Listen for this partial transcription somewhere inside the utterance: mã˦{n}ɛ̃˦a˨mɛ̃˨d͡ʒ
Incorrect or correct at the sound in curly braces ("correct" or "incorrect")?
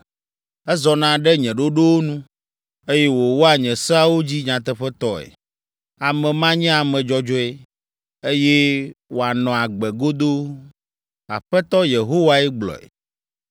incorrect